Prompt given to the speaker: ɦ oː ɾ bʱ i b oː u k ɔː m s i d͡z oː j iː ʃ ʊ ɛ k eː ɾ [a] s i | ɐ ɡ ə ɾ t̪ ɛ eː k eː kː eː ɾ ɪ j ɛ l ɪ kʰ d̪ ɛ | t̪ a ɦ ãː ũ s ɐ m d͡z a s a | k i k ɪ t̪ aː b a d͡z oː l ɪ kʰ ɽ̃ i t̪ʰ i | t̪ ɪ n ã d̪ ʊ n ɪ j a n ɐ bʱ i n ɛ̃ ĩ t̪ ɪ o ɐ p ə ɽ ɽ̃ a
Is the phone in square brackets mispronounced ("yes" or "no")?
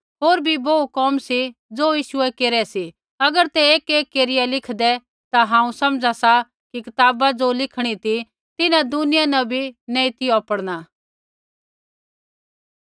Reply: yes